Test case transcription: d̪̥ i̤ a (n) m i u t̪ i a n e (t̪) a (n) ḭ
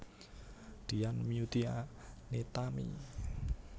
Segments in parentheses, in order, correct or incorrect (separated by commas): correct, correct, incorrect